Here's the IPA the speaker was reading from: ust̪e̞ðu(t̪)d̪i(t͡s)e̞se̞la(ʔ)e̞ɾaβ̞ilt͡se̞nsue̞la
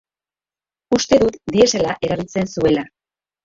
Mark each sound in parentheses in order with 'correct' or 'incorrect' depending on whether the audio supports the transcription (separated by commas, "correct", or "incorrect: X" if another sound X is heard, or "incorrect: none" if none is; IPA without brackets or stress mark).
correct, incorrect: none, correct